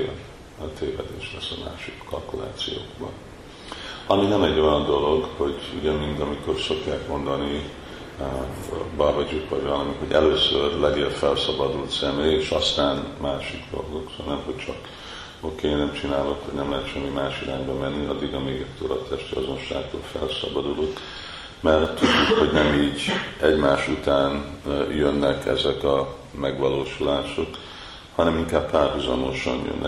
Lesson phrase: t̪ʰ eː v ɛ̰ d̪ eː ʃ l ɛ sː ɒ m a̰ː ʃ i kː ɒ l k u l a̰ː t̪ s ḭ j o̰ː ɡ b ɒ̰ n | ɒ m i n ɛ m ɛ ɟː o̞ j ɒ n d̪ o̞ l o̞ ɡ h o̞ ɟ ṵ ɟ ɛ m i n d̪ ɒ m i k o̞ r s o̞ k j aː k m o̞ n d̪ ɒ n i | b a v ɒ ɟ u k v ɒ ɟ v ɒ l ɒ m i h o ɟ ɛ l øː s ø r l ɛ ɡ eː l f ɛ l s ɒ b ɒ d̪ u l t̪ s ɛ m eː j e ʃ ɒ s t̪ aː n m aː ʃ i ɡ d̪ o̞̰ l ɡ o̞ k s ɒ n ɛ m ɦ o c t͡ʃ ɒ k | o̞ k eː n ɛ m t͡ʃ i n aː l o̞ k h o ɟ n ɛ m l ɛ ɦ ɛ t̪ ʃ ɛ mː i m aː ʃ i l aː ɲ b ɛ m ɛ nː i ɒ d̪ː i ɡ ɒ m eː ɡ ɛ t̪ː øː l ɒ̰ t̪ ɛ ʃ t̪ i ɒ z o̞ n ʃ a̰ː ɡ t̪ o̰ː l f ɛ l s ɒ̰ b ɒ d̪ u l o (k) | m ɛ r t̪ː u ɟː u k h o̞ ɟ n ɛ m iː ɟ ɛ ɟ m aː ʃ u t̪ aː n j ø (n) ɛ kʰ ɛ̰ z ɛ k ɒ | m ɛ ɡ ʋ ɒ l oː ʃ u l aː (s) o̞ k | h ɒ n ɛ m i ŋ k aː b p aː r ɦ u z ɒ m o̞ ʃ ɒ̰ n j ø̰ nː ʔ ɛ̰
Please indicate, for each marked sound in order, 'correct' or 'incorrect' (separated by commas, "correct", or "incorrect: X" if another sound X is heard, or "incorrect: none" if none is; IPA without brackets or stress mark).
correct, incorrect: nː, incorrect: ʃ